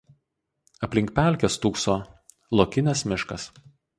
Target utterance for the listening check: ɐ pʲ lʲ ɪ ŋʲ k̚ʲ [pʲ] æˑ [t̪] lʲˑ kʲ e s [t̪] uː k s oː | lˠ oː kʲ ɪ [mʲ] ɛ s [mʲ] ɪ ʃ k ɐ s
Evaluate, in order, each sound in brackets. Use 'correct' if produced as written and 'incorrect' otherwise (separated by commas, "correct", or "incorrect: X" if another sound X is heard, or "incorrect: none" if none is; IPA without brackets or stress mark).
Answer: correct, incorrect: none, correct, incorrect: nʲ, correct